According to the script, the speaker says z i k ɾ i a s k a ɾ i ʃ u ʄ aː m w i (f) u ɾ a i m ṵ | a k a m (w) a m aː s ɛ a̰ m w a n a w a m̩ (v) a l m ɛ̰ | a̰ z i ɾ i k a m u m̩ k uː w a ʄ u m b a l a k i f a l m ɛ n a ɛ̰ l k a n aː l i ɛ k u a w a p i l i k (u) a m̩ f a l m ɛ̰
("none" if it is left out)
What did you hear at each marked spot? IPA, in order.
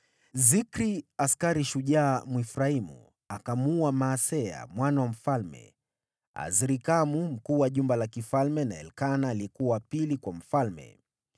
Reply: f, u, f, w

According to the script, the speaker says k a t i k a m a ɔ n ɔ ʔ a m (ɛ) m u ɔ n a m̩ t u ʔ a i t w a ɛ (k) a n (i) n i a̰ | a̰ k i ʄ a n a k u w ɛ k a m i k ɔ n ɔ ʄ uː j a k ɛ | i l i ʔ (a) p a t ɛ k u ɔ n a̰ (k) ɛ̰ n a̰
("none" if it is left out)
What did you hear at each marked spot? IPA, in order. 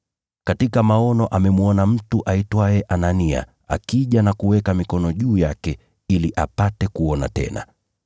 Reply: ɛ, ʔ, a, a, t

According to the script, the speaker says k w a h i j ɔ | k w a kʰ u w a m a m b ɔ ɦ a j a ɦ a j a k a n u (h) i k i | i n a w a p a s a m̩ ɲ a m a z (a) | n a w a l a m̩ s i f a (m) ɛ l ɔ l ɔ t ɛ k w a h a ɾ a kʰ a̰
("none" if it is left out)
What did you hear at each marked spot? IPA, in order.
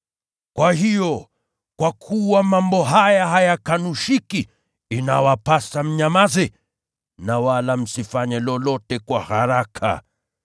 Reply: ʃ, ɛ, ɲ

